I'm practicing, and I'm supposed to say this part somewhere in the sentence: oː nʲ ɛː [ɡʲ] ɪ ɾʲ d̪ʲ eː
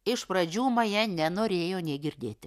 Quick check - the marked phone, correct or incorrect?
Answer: correct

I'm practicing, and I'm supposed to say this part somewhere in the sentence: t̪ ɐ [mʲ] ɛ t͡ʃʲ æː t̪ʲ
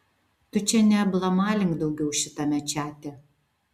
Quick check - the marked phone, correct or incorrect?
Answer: correct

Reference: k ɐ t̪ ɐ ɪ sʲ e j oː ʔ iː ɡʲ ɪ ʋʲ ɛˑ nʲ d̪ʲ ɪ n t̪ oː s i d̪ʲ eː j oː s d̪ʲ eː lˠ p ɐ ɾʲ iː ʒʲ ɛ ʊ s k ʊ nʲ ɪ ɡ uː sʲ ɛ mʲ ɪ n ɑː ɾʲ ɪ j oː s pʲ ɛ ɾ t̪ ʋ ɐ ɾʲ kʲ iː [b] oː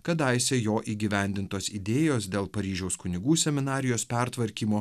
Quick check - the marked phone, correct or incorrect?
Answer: incorrect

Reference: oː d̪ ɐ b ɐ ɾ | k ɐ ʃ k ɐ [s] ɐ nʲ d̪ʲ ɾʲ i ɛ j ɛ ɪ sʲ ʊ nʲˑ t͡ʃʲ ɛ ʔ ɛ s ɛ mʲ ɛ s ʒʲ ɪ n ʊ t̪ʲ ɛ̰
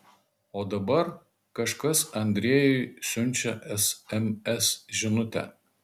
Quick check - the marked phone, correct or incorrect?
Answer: correct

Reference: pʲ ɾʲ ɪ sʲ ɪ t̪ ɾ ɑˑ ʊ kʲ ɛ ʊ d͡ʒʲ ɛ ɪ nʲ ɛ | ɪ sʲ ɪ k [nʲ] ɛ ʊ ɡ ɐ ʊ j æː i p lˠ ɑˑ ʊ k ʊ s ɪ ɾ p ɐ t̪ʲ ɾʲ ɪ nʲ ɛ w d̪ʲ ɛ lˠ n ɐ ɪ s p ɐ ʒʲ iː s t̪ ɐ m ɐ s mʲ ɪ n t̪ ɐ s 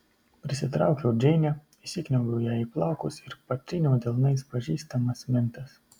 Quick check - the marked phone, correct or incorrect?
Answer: correct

